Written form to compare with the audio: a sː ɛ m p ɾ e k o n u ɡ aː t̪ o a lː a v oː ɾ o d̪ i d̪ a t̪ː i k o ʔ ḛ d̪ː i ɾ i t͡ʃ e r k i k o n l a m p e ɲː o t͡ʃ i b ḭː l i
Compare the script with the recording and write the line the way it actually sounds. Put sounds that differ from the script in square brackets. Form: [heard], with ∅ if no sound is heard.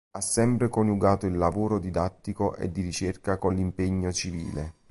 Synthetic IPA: a sː ɛ m p ɾ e k o n u ɡ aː t̪ o [i] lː a v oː ɾ o d̪ i d̪ a t̪ː i k o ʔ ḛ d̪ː i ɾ i t͡ʃ e r k [a] k o n l [i] m p e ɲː o t͡ʃ i [v] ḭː l [e]